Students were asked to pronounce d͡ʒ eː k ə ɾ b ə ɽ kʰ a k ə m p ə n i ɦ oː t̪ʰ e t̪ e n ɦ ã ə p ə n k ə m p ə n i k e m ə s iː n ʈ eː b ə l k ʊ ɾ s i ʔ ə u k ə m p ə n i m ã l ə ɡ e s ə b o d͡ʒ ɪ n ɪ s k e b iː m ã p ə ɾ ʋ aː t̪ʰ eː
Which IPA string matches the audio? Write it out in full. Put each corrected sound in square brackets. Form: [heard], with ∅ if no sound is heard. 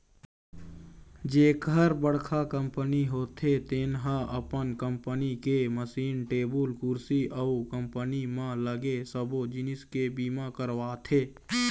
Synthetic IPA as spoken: d͡ʒ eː k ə ɾ b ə ɽ kʰ a k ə m p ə n i ɦ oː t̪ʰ e t̪ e n ɦ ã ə p ə n k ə m p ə n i k e m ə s iː n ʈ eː b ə l k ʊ ɾ s i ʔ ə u k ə m p ə n i m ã l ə ɡ e s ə b o d͡ʒ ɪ n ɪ s k e b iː m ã [k] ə ɾ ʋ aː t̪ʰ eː